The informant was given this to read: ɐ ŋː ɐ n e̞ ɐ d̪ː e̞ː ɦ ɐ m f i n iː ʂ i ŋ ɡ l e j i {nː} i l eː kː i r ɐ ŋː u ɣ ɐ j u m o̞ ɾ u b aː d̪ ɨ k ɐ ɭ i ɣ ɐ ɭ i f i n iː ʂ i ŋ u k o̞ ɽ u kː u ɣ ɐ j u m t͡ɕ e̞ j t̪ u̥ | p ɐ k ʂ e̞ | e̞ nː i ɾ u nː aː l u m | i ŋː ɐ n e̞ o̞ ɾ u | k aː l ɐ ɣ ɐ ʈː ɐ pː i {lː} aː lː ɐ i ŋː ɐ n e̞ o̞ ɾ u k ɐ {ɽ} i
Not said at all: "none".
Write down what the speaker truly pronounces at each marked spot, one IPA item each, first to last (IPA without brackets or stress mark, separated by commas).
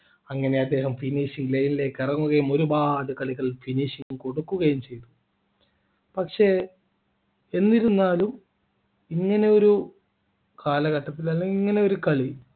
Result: n, l, ɭ